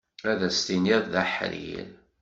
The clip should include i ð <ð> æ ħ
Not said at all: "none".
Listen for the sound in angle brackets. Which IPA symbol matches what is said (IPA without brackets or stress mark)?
ð